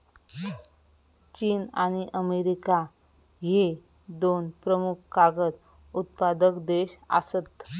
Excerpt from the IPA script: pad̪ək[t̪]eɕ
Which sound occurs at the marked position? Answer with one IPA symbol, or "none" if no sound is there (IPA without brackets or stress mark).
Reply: d̪